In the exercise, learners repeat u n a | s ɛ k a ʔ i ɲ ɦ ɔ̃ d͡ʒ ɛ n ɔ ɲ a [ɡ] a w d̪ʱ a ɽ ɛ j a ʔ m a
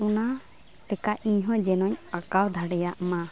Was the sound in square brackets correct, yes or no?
no